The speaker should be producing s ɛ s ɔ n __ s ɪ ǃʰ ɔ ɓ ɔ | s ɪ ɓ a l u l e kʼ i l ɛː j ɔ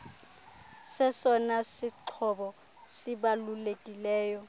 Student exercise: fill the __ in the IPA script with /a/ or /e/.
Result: a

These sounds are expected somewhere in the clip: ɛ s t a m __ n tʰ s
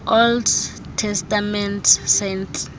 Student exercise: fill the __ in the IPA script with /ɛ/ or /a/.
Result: ɛ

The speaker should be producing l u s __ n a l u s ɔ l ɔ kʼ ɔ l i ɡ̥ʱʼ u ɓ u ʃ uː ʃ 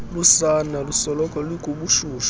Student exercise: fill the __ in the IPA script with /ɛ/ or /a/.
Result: a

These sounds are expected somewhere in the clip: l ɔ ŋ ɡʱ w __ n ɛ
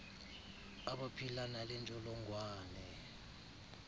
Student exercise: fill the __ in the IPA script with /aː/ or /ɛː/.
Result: aː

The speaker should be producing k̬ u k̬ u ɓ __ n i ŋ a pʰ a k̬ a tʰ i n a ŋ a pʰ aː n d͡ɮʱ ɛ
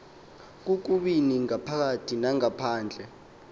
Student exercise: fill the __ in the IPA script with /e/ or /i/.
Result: i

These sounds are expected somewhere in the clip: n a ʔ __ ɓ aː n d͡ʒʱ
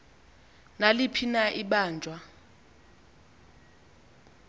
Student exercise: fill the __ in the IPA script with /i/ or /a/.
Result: i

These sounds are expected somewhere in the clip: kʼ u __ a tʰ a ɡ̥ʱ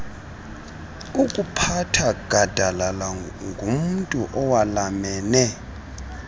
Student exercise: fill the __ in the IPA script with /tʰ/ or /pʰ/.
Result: pʰ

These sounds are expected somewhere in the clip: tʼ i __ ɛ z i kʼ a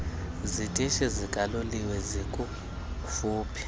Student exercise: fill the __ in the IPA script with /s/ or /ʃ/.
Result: ʃ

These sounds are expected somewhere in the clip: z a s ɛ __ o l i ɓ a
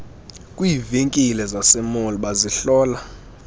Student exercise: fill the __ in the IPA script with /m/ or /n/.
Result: m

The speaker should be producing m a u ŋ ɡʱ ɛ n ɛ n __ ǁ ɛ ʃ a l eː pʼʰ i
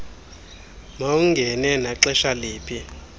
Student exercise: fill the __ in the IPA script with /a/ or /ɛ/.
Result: a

